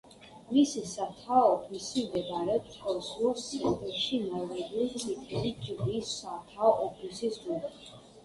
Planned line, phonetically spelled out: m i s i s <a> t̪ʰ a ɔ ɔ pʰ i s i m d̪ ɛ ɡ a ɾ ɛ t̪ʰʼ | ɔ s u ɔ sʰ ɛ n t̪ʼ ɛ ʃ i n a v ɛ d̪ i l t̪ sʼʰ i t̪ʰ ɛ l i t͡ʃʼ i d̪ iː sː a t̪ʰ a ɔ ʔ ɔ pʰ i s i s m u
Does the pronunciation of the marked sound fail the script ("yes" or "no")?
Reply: no